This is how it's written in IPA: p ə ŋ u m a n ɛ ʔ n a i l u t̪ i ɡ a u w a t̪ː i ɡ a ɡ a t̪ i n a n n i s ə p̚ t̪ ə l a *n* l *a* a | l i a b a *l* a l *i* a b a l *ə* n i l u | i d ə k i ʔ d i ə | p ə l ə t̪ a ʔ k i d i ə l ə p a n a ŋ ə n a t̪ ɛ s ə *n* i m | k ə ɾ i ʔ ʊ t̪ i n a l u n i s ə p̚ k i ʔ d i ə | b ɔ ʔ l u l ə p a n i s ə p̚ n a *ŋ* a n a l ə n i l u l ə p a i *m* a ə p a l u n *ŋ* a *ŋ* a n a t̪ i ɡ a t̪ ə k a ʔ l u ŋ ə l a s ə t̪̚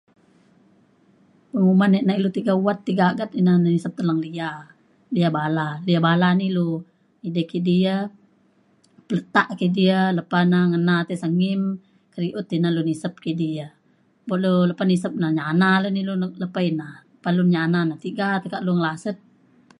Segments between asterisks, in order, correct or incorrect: incorrect: ŋ, incorrect: i, correct, correct, incorrect: a, incorrect: ŋ, incorrect: ɲ, incorrect: n, incorrect: ɲ, incorrect: n

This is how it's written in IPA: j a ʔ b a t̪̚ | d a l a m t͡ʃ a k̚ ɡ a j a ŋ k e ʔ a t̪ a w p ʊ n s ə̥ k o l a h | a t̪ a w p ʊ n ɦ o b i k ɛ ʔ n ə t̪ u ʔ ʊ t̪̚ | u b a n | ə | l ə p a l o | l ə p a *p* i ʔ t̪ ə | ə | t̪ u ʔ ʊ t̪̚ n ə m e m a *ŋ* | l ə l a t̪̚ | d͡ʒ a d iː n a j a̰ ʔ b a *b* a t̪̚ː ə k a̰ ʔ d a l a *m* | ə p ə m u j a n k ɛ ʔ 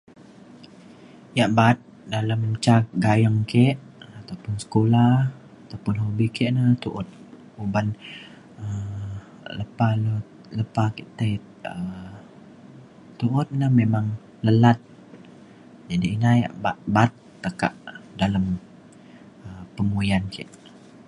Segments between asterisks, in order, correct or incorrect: incorrect: k, correct, correct, correct

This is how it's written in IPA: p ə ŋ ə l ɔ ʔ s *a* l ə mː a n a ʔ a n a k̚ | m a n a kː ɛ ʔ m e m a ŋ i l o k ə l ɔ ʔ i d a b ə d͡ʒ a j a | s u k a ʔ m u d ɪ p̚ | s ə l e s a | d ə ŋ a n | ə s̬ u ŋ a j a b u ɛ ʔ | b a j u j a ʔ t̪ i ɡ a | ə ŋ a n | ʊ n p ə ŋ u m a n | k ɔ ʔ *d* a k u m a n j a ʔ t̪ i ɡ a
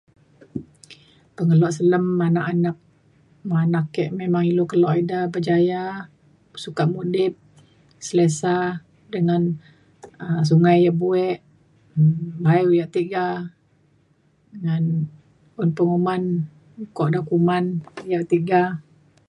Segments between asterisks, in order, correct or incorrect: incorrect: ə, correct

